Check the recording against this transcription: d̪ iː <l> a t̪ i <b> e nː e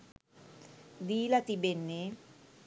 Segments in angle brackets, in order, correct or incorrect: correct, correct

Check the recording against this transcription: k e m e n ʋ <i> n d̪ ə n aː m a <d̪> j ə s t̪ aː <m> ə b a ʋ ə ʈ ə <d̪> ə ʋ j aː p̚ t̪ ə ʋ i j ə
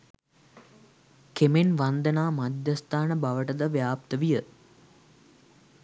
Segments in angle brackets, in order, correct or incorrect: incorrect: a, correct, incorrect: n, correct

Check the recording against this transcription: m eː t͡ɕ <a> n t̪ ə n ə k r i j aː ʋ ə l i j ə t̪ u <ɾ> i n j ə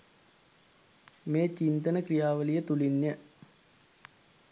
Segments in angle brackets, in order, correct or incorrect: incorrect: i, incorrect: l

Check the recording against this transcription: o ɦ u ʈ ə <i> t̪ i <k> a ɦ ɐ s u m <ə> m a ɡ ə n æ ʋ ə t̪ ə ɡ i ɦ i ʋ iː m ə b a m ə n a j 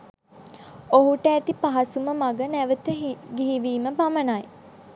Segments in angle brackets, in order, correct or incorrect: incorrect: æ, incorrect: p, correct

